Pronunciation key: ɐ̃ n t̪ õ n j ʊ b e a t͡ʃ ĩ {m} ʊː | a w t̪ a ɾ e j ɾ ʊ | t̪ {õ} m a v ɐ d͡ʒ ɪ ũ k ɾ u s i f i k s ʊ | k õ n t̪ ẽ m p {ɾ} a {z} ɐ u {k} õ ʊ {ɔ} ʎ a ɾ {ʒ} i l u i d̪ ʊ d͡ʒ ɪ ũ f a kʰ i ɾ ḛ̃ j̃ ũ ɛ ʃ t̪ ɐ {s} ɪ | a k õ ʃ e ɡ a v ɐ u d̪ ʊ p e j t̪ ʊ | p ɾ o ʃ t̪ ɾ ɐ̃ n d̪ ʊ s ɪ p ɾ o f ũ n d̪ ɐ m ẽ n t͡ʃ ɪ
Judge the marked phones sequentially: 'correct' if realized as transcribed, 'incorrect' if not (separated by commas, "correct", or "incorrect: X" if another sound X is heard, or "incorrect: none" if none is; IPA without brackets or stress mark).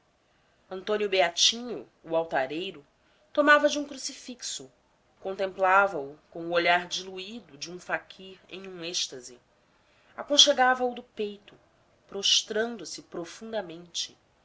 incorrect: ɲ, incorrect: o, incorrect: l, incorrect: v, correct, incorrect: o, incorrect: d͡ʒ, incorrect: z